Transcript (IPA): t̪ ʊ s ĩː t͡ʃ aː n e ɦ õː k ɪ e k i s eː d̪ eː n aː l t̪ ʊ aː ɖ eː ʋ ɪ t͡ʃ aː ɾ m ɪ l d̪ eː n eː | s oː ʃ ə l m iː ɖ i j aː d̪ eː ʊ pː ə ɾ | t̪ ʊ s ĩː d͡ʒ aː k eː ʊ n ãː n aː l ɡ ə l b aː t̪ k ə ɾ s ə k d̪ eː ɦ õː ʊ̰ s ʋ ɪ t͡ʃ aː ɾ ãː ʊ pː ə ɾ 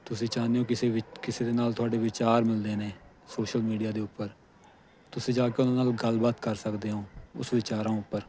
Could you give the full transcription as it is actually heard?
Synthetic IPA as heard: t̪ ʊ s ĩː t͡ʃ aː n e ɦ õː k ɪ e k ɪ s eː d̪ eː n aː l t̪ ʊ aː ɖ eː ʋ ɪ t͡ʃ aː ɾ m ɪ l d̪ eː n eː | s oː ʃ ə l m iː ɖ i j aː d̪ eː ʊ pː ə ɾ | t̪ ʊ s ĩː d͡ʒ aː k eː ʊ n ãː n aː l ɡ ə l b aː t̪ k ə ɾ s ə k d̪ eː ɦ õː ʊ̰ s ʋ ɪ t͡ʃ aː ɾ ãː ʊ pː ə ɾ